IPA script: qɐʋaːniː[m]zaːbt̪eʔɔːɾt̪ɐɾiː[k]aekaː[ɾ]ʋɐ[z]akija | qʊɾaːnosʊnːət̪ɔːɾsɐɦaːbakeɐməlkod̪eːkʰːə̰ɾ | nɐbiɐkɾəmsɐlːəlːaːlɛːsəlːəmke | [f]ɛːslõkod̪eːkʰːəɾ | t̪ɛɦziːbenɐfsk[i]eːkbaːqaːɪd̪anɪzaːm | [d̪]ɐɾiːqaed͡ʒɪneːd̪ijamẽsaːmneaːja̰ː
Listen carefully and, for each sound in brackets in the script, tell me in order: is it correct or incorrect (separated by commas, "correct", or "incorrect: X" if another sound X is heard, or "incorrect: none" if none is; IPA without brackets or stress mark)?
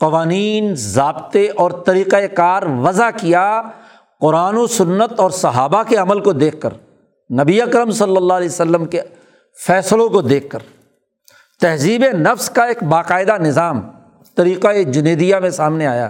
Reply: incorrect: n, incorrect: q, correct, correct, correct, incorrect: a, incorrect: t̪